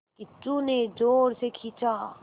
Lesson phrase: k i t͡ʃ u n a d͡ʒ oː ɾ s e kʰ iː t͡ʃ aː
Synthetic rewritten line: k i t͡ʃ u n e d͡ʒ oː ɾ s e kʰ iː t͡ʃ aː